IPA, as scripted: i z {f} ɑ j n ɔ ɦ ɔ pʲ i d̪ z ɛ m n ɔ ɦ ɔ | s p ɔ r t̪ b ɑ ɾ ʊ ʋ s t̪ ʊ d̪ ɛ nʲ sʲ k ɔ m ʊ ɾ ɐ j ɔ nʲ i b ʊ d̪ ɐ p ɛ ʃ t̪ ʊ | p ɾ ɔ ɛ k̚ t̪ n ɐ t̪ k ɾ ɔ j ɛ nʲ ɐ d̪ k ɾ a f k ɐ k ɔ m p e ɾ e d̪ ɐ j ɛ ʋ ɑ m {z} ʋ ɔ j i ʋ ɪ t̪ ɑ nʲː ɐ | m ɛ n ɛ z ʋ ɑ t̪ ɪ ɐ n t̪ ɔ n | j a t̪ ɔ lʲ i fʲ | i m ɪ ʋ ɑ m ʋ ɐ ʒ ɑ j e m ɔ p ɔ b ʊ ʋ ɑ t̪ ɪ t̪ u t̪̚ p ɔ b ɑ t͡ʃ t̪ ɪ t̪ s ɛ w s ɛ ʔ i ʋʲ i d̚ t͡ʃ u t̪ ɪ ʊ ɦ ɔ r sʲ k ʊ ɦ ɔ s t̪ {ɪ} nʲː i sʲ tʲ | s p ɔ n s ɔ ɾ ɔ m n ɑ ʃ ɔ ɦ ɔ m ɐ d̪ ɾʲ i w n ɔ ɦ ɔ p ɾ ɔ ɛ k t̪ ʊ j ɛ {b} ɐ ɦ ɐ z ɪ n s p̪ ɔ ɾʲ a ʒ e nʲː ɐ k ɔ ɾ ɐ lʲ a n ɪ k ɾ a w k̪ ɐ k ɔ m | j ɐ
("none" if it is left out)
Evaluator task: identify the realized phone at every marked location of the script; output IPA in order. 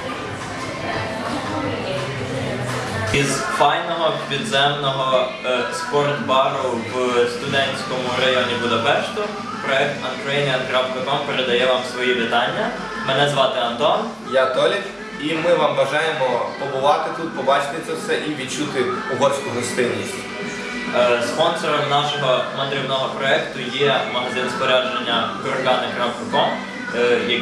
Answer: f, s, ɪ, m

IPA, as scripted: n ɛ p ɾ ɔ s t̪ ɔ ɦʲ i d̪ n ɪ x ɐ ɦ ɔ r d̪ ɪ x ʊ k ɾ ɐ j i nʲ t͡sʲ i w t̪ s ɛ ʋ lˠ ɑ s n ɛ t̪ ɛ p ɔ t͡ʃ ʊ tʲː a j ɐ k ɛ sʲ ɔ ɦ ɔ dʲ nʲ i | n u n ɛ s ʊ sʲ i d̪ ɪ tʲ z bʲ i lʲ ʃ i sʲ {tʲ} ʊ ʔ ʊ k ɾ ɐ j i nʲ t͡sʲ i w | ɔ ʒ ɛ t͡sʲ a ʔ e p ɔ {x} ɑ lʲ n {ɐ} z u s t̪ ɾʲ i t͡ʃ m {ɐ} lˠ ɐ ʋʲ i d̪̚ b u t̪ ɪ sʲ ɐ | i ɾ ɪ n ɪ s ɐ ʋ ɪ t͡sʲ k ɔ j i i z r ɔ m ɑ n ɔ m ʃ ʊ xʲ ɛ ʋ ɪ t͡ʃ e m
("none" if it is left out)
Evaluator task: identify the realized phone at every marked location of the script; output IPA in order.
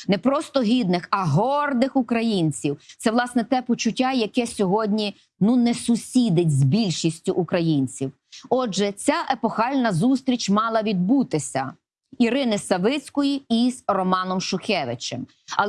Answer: tʲ, x, ɐ, ɑ

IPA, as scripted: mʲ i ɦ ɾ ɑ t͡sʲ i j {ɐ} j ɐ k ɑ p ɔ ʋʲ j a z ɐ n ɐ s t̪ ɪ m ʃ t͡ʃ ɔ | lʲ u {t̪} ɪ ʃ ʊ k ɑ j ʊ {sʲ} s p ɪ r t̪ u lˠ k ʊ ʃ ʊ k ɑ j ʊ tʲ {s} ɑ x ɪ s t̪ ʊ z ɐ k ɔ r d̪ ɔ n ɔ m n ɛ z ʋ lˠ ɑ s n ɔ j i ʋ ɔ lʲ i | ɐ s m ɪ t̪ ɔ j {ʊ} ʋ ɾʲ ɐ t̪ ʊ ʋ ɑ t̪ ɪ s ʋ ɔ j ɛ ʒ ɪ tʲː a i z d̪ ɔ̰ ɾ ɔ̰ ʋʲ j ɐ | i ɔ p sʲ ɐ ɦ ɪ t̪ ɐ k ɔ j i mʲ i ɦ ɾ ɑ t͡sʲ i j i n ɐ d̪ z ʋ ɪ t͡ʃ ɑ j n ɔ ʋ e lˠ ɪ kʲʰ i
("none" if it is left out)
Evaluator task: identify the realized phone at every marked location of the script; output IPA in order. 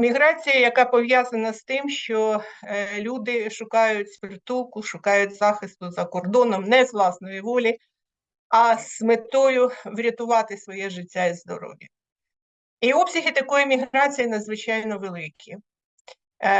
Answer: ɐ, d̪, tʲ, z, ʊ

